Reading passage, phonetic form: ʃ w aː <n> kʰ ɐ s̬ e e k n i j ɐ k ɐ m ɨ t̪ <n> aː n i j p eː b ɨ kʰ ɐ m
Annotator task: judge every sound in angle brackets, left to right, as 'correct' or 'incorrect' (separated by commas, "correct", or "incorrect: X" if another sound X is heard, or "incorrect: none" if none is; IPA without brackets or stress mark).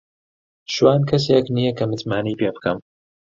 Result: correct, incorrect: m